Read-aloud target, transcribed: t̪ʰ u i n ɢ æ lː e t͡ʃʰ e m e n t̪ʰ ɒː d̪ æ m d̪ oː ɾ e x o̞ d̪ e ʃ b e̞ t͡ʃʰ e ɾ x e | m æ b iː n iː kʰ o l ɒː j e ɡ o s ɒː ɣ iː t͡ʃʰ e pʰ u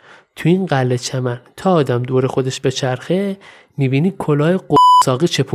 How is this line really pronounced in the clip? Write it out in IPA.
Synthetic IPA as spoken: t̪ʰ u i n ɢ æ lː e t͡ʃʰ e m æ n t̪ʰ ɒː d̪ æ m d̪ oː ɾ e x o̞ d̪ e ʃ b e̞ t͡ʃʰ æ ɾ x e | m i b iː n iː kʰ o l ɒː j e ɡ o s ɒː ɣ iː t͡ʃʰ e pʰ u